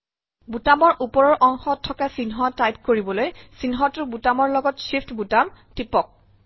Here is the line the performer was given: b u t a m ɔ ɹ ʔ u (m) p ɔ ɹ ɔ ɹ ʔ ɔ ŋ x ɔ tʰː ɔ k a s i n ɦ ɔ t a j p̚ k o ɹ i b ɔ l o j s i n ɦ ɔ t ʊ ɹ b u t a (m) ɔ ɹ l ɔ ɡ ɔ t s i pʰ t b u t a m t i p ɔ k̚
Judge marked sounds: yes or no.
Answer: no, yes

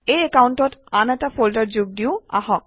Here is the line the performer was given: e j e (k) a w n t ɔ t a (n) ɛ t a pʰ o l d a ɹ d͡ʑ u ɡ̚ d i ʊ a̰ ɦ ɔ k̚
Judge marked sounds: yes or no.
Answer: yes, yes

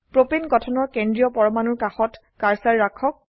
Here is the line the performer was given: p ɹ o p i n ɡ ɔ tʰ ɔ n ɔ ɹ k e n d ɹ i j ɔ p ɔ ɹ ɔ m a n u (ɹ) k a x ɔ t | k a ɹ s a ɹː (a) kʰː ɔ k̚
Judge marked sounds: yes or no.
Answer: yes, yes

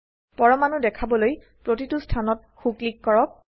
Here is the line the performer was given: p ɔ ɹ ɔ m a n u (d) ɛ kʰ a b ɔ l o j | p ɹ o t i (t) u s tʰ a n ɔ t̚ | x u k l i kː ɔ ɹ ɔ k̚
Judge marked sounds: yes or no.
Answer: yes, yes

